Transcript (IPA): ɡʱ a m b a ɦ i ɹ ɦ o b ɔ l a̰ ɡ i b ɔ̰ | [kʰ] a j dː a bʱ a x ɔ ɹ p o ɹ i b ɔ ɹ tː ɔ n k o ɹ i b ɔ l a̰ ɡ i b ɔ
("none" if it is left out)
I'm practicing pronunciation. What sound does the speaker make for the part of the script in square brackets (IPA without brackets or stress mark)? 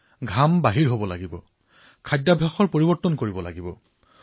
kʰ